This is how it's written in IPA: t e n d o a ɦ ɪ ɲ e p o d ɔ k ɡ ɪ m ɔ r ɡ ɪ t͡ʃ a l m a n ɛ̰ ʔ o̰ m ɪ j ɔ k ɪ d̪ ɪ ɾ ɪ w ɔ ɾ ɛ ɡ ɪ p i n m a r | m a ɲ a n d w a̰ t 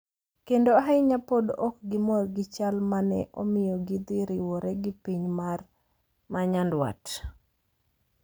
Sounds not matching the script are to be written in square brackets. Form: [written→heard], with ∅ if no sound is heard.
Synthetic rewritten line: [t→k] e n d o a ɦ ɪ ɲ [e→a] p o d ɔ k ɡ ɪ m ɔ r ɡ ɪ t͡ʃ a l m a n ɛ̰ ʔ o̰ m ɪ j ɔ [k→ɡ] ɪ d̪ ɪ ɾ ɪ w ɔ ɾ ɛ ɡ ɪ p i [n→ɲ] m a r | m a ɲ a n d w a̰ t